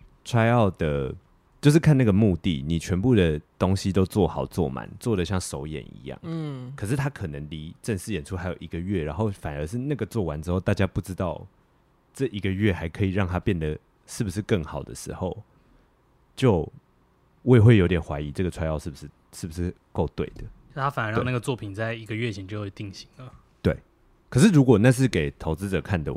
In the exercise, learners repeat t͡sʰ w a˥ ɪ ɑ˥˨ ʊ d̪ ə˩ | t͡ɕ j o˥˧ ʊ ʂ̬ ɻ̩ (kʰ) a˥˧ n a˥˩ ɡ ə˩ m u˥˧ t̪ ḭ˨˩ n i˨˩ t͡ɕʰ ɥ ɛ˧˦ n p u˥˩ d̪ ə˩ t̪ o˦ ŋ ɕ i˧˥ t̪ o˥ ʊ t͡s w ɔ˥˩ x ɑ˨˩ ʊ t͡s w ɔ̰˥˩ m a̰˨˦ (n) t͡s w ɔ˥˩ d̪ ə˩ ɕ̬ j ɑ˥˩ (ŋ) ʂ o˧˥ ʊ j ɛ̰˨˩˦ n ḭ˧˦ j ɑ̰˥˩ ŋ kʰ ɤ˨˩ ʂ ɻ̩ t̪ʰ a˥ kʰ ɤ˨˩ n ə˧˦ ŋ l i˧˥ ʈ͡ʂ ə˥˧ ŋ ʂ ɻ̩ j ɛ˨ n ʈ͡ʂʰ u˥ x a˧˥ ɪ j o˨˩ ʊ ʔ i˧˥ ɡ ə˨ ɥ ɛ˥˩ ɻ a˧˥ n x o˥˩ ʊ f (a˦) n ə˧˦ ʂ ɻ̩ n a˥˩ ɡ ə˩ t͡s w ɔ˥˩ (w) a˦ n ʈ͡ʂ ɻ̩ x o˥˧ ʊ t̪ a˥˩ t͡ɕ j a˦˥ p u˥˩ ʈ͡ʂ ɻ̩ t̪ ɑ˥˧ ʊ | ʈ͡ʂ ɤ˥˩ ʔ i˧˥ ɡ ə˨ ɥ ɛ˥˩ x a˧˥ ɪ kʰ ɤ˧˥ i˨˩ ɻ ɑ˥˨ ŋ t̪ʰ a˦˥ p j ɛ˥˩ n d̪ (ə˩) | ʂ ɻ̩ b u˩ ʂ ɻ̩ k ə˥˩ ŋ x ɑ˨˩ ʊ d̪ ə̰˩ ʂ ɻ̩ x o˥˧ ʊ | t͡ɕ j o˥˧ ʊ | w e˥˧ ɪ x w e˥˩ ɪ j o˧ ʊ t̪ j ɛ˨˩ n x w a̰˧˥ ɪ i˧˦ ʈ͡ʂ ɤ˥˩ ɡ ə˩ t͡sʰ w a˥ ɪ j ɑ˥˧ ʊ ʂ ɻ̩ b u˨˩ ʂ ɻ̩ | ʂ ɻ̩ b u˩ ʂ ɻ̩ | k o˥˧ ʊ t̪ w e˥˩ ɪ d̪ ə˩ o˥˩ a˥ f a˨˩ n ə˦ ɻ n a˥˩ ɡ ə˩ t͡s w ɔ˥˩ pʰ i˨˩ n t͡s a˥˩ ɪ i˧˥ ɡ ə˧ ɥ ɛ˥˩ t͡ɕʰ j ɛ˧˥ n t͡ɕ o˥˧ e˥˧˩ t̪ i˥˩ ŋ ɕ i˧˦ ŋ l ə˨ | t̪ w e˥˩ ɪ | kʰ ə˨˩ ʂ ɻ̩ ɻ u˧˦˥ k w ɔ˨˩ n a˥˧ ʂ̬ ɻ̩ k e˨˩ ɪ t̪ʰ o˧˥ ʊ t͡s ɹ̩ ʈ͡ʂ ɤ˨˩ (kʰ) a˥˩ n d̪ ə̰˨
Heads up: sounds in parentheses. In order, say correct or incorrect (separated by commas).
correct, correct, correct, incorrect, correct, correct, correct